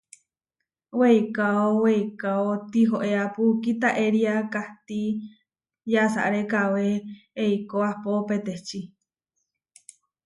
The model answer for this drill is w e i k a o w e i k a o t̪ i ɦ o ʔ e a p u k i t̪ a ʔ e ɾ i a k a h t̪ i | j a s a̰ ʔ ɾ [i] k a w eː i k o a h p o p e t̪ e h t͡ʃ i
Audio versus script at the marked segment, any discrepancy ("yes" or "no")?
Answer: yes